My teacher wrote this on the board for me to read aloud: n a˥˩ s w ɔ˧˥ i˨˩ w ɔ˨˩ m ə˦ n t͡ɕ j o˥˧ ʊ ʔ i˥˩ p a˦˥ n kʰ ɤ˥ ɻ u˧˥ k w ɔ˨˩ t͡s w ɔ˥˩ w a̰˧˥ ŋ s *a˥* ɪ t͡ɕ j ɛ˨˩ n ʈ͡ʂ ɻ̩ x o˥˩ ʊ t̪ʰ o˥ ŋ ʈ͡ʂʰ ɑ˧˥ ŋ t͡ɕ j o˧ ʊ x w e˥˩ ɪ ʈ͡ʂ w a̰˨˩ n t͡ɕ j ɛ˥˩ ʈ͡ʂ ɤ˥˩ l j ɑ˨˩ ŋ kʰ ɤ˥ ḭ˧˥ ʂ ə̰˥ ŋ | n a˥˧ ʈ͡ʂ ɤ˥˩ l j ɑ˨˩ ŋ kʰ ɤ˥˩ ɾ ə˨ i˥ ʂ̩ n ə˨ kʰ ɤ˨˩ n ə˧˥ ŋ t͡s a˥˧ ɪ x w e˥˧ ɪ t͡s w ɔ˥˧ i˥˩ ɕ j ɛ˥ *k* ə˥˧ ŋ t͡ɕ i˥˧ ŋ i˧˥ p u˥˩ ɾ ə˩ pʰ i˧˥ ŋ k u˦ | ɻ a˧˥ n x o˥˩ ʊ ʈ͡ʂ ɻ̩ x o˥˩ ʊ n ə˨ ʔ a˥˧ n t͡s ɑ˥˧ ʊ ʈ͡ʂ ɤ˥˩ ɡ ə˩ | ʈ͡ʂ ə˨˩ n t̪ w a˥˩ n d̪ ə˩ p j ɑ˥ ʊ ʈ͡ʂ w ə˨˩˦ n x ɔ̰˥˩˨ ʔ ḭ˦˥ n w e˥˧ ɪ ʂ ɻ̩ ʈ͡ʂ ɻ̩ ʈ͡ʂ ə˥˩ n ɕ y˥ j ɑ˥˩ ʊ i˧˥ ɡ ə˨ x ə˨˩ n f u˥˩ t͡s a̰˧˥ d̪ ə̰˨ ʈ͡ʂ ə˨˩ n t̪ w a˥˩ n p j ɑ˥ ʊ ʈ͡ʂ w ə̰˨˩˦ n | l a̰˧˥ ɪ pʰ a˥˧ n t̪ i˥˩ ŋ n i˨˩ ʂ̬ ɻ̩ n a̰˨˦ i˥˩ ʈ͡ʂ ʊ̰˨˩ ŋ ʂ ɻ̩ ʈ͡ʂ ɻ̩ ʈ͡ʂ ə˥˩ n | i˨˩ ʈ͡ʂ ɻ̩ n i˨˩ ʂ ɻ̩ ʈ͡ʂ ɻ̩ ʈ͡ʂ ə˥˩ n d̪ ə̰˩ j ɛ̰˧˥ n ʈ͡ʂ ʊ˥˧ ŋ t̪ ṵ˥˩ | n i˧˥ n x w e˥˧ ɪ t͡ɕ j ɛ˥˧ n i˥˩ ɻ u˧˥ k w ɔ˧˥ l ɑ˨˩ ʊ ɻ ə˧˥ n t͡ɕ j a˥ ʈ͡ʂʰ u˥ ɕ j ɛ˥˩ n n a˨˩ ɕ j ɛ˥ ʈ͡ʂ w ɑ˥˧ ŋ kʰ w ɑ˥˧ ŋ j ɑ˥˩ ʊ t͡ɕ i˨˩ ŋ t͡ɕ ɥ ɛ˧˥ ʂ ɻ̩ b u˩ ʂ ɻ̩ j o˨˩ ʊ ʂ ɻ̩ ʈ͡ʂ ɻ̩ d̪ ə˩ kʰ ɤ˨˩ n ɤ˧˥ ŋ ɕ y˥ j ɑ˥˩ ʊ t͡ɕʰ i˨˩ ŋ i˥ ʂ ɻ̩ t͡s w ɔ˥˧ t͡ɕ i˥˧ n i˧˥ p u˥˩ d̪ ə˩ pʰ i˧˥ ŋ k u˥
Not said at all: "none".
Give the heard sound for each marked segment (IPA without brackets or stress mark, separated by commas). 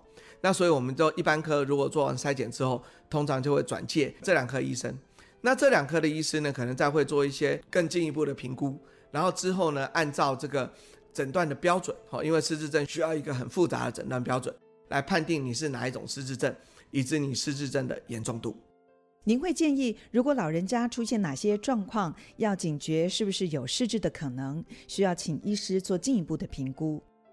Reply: a˥, k